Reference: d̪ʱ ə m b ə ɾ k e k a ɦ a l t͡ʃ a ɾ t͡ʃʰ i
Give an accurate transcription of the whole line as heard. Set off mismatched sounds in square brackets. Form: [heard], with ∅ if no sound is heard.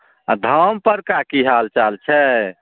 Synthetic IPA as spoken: d̪ʱ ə m [p] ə ɾ k [a] k [i] ɦ a l t͡ʃ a [l] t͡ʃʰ [ɛ]

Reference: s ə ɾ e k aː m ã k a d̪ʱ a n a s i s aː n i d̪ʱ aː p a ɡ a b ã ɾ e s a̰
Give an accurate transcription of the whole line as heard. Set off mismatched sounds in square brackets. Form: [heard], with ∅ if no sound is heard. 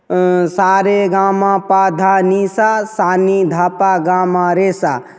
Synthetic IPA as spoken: s [a] ɾ e [ɡ] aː m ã [p] a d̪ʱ a n [i] s [a] s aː n i d̪ʱ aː p a ɡ a [m] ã ɾ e s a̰

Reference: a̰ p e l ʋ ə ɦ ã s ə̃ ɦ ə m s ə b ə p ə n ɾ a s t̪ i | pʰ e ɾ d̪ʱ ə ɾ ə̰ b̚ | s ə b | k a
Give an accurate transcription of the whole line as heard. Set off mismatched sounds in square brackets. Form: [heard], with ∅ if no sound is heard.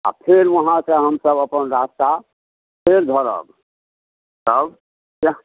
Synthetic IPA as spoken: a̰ [pʰ] e [ɾ] ʋ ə ɦ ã s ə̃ ɦ ə m s ə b ə p ə n ɾ a s t̪ [a] | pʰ e ɾ d̪ʱ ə ɾ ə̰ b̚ | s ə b | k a

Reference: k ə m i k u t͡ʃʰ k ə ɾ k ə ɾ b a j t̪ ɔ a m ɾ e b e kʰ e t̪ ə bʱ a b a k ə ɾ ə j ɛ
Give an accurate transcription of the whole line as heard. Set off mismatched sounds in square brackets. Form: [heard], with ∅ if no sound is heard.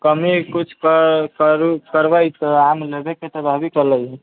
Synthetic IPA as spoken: k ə m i k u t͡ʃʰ k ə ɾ k ə ɾ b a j t̪ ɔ a m [l] e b e [k] e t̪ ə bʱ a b [i] k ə [l] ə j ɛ

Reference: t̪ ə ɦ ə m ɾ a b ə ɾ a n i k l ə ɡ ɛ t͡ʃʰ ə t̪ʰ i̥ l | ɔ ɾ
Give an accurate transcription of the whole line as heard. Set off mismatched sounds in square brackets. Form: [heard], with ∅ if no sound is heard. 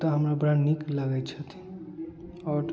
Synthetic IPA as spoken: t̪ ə ɦ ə m ɾ a b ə ɾ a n i k l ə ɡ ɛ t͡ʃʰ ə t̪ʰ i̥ [∅] | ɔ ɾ

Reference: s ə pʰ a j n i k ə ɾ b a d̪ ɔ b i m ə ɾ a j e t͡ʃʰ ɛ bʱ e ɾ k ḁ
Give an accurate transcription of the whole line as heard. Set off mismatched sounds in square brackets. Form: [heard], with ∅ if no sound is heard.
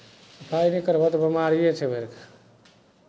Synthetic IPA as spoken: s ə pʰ a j n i k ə ɾ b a [t̪] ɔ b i m [a] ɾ [i] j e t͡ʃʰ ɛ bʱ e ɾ k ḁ

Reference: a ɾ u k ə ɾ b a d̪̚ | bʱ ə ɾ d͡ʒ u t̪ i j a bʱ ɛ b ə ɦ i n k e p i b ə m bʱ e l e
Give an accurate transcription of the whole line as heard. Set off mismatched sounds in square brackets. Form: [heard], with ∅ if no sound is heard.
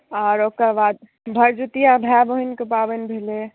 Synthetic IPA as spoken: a ɾ [o] k ə ɾ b a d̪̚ | bʱ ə ɾ d͡ʒ u t̪ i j a bʱ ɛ b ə ɦ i n k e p [a] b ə [n] bʱ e l e

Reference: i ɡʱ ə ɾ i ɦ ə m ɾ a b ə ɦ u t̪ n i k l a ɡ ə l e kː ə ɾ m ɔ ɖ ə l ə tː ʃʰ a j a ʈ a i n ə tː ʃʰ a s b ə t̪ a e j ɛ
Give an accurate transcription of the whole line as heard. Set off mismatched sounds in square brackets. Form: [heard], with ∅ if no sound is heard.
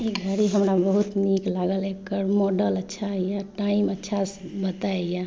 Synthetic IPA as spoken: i ɡʱ ə ɾ i ɦ ə m ɾ a b ə ɦ u t̪ n i k l a ɡ ə l e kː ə ɾ m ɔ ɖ ə l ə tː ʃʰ a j a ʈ a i [m] ə tː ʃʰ a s b ə t̪ a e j [a]

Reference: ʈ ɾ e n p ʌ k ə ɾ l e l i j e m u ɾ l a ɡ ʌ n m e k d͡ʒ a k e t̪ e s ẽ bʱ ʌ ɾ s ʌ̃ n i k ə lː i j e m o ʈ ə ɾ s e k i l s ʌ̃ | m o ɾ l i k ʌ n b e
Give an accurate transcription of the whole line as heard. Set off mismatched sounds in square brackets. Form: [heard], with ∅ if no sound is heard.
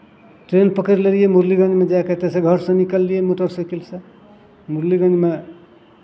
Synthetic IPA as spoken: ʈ ɾ e n p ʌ k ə ɾ l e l i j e m u ɾ l [i] ɡ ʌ n m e [∅] d͡ʒ a k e t̪ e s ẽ [ɡʱ] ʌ ɾ s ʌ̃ n i k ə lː i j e m o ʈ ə ɾ s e k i l s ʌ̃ | m [u] ɾ l i [ɡ] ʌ n [m] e

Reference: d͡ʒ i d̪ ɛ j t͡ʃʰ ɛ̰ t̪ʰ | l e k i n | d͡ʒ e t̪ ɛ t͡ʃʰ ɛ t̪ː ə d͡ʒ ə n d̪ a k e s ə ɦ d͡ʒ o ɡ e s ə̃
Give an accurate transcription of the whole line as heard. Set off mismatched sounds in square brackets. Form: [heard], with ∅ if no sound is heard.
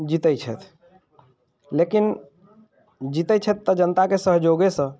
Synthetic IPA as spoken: d͡ʒ i [t̪] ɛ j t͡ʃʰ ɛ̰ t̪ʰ | l e k i n | d͡ʒ [i] t̪ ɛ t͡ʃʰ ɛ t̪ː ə d͡ʒ ə n [t̪] a k e s ə ɦ d͡ʒ o ɡ e s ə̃

